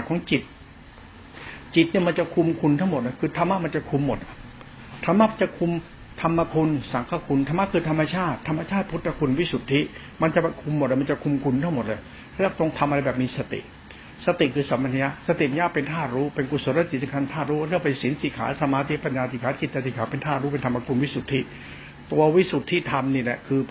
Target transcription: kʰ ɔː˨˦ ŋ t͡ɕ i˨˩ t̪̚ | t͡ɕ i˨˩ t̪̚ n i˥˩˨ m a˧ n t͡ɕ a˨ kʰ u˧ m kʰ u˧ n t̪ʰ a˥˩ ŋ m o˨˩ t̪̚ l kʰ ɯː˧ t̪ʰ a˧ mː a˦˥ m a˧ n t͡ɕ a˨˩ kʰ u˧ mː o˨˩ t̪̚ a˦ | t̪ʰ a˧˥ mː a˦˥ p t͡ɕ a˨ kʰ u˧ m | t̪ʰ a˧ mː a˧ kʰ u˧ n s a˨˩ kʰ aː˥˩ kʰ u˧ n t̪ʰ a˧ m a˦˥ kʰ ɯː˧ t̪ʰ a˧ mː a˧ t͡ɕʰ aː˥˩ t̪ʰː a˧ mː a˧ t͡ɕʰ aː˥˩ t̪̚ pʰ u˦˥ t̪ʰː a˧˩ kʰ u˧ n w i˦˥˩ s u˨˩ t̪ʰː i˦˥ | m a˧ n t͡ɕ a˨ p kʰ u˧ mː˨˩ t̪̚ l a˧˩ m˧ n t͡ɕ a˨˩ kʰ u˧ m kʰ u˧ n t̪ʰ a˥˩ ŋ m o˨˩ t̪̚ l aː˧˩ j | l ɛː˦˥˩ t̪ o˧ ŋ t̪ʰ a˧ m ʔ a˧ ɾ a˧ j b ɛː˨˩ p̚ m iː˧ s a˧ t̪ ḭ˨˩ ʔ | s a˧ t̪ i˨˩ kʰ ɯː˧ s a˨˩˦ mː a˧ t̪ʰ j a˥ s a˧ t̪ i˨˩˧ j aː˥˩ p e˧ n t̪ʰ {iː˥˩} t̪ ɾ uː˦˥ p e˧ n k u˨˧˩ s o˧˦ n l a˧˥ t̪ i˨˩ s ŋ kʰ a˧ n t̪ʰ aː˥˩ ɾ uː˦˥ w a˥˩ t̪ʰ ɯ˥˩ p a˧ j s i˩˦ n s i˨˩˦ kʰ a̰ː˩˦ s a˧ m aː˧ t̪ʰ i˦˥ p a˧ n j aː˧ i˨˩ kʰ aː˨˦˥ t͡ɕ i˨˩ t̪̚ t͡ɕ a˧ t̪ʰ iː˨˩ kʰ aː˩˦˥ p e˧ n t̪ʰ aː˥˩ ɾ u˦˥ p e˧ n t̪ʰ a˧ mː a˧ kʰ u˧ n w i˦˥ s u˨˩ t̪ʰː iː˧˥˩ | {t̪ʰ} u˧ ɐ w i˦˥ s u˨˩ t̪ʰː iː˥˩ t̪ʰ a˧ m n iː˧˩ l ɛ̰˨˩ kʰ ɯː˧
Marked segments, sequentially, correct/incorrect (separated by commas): incorrect, incorrect